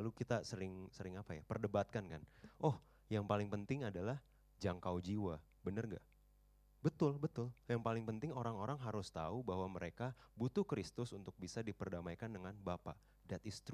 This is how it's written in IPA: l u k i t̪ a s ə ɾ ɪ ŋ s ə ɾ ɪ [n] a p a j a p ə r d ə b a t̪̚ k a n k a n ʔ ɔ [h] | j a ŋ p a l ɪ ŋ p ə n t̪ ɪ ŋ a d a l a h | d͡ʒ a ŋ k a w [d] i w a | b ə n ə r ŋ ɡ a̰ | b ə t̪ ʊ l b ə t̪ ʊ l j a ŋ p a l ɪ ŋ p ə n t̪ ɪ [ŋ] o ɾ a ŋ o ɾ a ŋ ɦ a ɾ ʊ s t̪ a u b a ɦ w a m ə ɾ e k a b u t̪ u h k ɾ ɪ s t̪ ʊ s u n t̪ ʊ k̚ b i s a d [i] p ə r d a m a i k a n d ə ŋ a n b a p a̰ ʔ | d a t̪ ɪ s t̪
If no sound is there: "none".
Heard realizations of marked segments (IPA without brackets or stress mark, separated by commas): ŋ, h, d͡ʒ, ŋ, i